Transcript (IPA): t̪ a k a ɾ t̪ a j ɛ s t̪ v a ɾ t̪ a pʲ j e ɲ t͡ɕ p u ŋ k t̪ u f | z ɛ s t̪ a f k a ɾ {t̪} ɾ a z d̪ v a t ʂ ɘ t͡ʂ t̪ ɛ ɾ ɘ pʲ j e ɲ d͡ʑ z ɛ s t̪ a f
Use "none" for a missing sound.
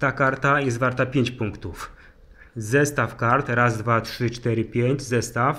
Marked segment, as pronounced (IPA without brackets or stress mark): t̪